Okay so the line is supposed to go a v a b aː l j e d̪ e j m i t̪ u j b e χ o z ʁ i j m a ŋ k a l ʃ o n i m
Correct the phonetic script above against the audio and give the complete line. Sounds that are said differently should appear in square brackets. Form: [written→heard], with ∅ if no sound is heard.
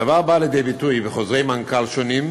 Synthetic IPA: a v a b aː l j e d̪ e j [m→b] i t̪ u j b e χ o z ʁ [i→e] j m a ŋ k a l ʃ o n i m